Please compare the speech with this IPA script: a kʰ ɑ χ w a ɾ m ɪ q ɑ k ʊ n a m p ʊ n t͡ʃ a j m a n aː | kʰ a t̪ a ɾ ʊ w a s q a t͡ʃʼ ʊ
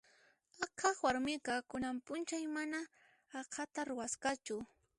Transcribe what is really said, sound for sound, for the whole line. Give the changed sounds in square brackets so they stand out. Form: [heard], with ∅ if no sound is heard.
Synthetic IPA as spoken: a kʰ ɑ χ w a ɾ m ɪ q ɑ k ʊ n a m p ʊ n t͡ʃ a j m a n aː | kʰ a t̪ a ɾ ʊ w a s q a [t͡ʃ] ʊ